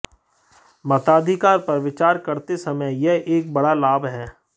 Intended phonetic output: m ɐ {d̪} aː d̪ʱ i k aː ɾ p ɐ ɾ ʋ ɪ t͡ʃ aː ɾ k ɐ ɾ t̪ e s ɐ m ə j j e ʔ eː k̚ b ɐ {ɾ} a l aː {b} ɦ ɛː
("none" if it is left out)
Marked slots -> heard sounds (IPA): t̪, ɽ, b

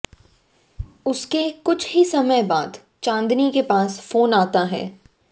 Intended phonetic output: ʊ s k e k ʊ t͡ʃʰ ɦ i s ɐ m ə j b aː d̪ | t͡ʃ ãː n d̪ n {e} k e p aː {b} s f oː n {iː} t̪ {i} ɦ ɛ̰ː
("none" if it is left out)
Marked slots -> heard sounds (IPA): i, none, aː, a

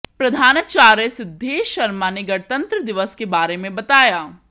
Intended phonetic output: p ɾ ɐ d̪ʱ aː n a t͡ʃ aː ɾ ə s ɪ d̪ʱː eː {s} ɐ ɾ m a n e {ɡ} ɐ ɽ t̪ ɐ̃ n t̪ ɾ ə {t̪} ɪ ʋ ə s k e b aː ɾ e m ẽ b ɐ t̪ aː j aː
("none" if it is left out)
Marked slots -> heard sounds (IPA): ʃ, ɡ, d̪

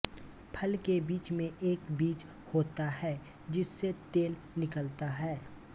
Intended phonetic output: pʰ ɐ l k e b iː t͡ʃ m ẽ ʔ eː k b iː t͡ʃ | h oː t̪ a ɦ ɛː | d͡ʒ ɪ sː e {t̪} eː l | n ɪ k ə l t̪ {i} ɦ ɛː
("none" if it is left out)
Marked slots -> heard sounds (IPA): t̪, a

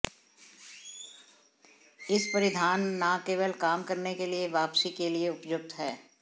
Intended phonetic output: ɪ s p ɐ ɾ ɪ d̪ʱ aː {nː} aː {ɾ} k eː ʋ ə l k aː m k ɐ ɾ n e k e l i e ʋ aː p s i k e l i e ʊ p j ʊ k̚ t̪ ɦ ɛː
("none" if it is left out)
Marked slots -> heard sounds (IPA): nː, none

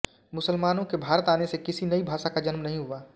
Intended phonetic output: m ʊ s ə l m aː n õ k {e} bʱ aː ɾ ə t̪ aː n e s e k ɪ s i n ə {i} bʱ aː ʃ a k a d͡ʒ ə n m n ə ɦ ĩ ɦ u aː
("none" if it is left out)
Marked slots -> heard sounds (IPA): e, i

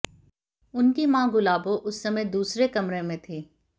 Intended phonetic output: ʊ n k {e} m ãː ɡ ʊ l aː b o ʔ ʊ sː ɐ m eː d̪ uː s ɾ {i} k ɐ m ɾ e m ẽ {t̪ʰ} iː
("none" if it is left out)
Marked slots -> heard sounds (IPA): i, e, t̪ʰ

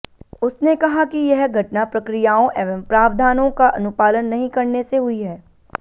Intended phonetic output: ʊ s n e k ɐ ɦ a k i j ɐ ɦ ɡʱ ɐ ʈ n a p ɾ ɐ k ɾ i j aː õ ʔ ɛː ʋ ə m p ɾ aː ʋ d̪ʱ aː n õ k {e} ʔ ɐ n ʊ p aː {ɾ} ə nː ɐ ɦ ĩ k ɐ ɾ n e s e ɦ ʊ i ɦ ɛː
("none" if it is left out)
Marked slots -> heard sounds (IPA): a, l

